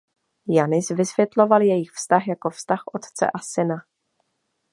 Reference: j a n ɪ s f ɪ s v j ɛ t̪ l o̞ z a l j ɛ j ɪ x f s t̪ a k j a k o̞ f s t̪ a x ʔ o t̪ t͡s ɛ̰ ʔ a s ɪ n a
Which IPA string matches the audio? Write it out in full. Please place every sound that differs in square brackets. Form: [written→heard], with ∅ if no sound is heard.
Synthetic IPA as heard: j a n ɪ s [f→v] ɪ s v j ɛ t̪ l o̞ [z→v] a l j ɛ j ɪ x f s t̪ a [k→x] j a k o̞ f s t̪ a x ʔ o t̪ t͡s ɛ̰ ʔ a s ɪ n a